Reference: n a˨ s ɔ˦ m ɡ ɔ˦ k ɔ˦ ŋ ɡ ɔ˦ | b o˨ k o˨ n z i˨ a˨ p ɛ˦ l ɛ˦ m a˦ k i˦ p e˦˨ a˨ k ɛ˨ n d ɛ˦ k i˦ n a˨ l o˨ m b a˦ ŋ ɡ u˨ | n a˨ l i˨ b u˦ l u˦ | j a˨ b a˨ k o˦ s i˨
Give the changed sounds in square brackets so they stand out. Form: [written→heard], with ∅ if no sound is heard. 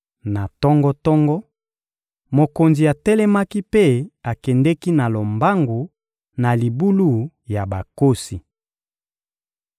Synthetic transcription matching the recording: n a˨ [s→t] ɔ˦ [m→ŋ] ɡ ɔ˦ [k→t] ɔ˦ ŋ ɡ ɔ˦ | [b→m] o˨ k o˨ n z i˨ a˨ [p→t] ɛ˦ l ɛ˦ m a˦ k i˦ p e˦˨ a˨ k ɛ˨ n d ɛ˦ k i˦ n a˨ l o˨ m b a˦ ŋ ɡ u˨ | n a˨ l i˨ b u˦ l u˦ | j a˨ b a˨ k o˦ s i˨